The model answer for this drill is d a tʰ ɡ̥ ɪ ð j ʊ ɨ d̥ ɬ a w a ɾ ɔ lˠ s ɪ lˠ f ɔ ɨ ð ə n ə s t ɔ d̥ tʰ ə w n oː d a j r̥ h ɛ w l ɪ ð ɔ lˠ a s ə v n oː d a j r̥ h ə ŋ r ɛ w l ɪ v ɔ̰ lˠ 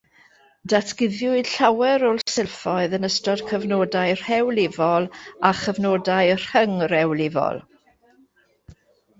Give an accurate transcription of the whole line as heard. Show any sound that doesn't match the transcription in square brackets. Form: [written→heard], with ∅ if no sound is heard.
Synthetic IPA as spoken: d a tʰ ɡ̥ ɪ ð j ʊ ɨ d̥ ɬ a w [a→ɛ] ɾ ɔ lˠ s ɪ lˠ f ɔ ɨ ð ə n ə s t ɔ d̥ [tʰ→kʰ] ə [w→v] n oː d a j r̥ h ɛ w l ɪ [ð→v] ɔ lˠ a [s→χ] ə v n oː d a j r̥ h ə ŋ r ɛ w l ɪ v ɔ̰ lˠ